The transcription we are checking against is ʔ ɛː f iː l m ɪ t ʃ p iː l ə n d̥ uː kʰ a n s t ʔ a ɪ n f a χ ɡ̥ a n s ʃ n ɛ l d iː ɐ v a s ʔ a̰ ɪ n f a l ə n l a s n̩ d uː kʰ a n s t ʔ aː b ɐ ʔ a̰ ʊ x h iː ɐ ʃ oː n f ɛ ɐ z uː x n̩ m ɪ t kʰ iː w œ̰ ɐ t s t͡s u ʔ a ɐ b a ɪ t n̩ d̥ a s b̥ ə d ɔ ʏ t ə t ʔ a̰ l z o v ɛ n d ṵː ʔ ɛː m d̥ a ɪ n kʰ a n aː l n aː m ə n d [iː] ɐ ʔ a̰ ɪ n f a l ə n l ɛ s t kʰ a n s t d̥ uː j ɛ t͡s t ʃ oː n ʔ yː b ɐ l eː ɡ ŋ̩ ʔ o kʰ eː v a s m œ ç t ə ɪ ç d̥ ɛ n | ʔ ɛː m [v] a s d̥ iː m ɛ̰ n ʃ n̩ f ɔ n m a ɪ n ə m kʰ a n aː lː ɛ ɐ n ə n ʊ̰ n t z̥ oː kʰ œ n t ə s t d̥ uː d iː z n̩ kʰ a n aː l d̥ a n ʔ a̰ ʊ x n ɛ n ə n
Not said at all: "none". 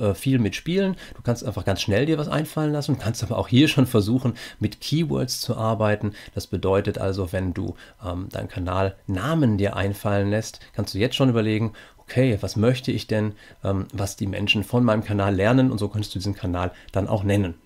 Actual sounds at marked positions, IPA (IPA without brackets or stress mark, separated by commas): iː, v